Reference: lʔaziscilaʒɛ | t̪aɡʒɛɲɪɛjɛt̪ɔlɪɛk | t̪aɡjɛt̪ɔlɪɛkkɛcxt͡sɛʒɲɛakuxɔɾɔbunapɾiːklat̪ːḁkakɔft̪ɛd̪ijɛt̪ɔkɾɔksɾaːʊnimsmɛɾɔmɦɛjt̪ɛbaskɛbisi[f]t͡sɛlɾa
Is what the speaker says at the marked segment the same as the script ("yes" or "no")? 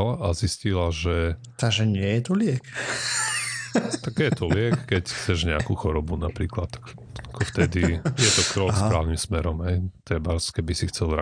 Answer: no